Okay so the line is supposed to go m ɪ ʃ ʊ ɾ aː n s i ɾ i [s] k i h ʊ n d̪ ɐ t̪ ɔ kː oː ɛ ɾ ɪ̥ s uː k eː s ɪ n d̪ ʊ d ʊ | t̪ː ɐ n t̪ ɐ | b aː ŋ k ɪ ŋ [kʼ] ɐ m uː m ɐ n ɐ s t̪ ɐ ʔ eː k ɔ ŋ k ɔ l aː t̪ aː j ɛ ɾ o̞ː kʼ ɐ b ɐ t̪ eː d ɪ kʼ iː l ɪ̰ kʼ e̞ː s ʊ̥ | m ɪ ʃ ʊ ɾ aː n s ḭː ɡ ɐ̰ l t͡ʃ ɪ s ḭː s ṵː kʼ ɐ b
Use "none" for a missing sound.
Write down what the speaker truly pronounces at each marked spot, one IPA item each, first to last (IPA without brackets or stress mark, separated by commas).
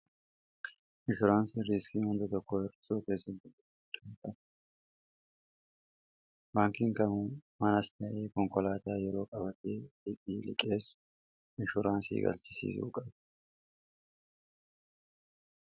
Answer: s, k